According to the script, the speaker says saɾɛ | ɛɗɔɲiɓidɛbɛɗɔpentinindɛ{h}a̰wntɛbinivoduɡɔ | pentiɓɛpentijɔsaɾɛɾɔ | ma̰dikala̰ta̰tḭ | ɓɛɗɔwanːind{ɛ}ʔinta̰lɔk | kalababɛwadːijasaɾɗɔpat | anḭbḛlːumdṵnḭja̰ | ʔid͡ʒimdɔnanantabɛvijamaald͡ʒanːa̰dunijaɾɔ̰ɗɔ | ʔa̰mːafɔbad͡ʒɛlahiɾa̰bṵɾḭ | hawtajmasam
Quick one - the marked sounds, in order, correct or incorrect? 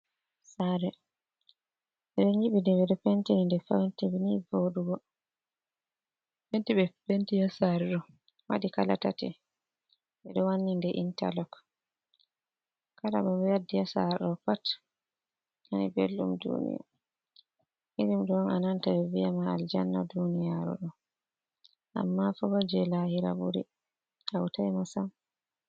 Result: incorrect, correct

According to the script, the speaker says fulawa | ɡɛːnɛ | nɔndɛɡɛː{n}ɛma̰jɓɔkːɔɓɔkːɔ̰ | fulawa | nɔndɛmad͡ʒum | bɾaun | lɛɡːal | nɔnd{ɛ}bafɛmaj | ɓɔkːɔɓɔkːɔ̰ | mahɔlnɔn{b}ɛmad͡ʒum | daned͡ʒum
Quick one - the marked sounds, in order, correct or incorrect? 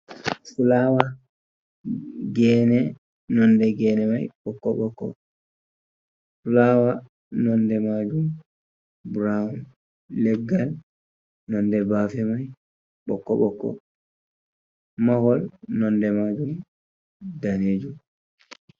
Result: correct, correct, incorrect

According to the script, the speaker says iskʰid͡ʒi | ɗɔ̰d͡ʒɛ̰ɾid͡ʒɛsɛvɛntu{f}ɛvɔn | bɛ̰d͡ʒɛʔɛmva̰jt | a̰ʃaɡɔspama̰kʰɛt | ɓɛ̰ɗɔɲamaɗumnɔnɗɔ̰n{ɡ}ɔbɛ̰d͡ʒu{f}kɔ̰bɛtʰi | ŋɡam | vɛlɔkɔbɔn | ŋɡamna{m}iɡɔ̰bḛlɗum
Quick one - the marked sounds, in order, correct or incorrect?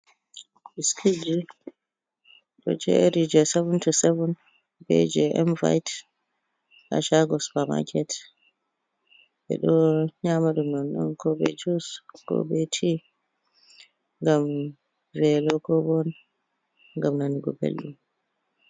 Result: incorrect, incorrect, incorrect, incorrect

